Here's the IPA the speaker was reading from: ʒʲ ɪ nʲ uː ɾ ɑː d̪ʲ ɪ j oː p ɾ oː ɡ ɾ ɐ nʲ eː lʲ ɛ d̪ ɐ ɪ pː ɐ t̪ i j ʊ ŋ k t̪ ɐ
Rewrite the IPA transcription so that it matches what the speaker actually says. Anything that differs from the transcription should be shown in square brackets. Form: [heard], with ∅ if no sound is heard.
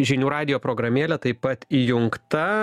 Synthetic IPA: ʒʲ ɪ nʲ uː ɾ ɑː d̪ʲ ɪ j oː p ɾ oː ɡ ɾ ɐ [mʲ] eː lʲ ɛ [t̪] ɐ ɪ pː ɐ t̪ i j ʊ ŋ k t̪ ɐ